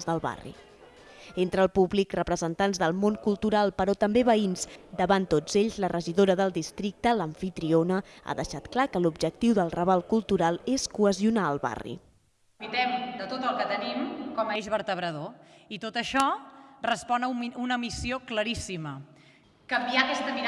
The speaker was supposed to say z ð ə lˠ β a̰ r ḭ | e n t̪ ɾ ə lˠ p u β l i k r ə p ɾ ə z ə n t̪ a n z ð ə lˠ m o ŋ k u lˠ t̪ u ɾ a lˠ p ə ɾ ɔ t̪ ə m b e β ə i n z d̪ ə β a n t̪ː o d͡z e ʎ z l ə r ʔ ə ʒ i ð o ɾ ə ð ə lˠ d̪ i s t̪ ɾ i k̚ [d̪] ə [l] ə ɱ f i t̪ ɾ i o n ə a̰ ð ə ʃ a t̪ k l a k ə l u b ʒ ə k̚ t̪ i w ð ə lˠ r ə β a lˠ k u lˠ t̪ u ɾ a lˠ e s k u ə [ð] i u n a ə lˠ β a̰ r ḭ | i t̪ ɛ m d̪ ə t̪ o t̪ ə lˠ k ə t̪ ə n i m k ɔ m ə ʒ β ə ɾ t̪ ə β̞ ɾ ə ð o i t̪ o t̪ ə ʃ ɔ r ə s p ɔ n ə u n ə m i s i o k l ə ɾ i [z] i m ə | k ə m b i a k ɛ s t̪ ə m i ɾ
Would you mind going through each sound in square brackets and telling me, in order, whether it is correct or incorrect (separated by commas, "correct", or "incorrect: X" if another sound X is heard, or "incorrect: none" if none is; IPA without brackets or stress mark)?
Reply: incorrect: t̪, correct, incorrect: z, incorrect: s